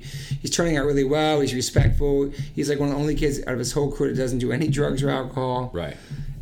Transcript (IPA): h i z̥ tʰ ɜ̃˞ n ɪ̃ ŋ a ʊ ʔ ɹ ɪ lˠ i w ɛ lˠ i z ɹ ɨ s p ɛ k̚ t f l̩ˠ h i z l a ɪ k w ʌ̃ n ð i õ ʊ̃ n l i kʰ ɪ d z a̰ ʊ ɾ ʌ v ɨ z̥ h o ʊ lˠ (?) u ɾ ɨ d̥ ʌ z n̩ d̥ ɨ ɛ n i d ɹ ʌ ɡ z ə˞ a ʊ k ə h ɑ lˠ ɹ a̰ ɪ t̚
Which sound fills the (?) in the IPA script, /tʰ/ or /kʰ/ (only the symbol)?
kʰ